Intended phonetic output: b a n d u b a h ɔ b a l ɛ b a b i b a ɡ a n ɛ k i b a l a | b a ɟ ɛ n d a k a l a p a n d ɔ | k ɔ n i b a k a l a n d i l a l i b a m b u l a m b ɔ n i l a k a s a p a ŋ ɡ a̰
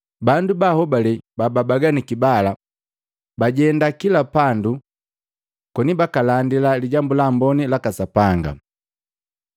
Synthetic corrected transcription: b a n d u b a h ɔ b a l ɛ b a b a b a ɡ a n i k i b a l a | b a ɟ ɛ n d a k i l a p a n d u | k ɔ n i b a k a l a n d i l a l i ɟ a m b u l a m b ɔ n i l a k a s a p a ŋ ɡ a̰